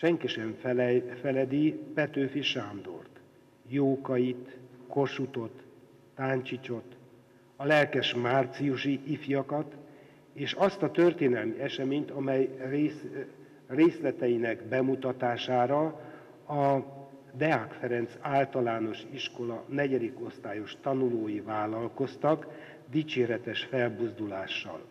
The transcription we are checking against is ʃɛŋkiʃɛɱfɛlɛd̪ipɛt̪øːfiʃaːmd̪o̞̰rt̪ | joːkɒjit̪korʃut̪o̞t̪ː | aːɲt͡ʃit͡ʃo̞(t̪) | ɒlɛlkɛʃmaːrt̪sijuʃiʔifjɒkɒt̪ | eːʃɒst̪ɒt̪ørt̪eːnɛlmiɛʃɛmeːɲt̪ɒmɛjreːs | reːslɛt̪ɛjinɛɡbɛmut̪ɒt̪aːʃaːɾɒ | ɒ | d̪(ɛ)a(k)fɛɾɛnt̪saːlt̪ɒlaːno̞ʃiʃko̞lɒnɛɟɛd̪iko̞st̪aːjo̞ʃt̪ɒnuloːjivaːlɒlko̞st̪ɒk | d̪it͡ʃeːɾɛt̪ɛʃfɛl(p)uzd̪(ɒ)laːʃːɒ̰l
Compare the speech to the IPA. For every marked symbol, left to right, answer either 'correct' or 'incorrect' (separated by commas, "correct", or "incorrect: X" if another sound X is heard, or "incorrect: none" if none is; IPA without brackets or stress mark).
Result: correct, correct, correct, incorrect: b, incorrect: u